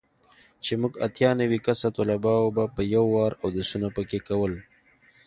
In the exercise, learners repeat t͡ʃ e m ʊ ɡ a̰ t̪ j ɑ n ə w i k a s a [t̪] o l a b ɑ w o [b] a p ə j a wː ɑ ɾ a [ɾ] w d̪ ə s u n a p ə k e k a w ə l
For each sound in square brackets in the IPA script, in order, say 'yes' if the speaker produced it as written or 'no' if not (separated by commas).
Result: yes, yes, no